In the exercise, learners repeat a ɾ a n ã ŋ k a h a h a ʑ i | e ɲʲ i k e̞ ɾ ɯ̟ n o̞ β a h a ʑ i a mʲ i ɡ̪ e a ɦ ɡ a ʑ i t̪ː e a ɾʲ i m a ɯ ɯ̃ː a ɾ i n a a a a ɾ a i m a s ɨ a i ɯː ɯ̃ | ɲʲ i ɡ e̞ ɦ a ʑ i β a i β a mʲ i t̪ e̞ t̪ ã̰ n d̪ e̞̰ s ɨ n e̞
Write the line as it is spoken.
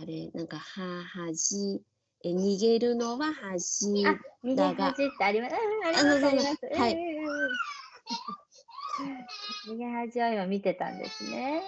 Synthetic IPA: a ɾ e n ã ŋ k a h a h a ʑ i | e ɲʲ i ɡ e̞ ɾ ɯ̟ n o̞ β a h a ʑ i a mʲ i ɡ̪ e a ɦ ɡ a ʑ i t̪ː e a ɾʲ i m a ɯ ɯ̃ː a ɾ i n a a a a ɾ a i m a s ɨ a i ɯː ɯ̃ | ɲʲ i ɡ e̞ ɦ a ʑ i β a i β a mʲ i t̪ e̞ t̪ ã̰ n d̪ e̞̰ s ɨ n e̞